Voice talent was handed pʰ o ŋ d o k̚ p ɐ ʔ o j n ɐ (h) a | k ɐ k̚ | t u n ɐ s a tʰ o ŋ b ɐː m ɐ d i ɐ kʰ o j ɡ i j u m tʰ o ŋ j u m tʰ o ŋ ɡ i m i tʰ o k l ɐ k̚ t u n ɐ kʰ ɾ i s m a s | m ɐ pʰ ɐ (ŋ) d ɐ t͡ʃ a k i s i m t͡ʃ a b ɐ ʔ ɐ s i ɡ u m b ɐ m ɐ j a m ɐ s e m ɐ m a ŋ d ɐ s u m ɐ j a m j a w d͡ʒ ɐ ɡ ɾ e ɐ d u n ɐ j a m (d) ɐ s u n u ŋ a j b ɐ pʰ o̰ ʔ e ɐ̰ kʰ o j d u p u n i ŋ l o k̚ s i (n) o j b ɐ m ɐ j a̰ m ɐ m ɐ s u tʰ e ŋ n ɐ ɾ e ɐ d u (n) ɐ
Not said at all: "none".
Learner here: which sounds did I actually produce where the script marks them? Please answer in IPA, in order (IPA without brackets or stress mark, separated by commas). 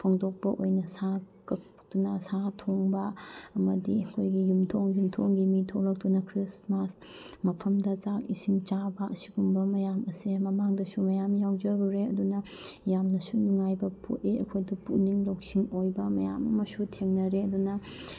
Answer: s, m, n, ŋ, n